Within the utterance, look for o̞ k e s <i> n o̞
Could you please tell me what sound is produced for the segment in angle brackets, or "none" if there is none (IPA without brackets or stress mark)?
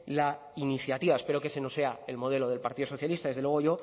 e